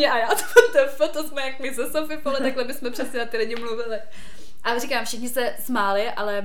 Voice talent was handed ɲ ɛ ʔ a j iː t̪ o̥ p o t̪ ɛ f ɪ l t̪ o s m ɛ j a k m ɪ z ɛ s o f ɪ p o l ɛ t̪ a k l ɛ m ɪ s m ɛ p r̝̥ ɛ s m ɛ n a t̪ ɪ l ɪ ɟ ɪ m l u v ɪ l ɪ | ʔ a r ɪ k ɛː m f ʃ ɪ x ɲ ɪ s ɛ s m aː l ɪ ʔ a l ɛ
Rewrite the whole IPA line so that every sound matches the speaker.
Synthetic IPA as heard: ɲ ɛ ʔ a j aː t̪ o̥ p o t̪ ɛ f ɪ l t̪ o s m ɛ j a k m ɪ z ɛ s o f ɪ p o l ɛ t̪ a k l ɛ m ɪ s m ɛ p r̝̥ ɛ s ɲ ɛ n a t̪ ɪ l ɪ ɟ ɪ m l u v ɪ l ɪ | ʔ a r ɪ k aː m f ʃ ɪ x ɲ ɪ s ɛ s m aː l ɪ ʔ a l ɛ